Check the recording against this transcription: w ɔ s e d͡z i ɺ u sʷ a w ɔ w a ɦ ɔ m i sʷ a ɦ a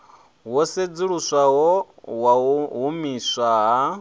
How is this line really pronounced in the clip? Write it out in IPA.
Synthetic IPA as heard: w ɔ s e d͡z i ɺ u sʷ a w ɔ w a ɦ u m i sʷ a ɦ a